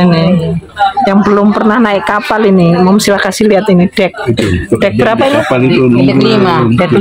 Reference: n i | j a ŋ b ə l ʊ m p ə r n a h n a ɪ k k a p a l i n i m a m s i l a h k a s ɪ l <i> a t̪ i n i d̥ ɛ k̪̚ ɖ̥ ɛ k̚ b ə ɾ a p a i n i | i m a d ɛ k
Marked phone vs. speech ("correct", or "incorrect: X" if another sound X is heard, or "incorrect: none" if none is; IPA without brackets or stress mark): correct